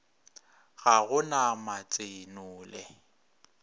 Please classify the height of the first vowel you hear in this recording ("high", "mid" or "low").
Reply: low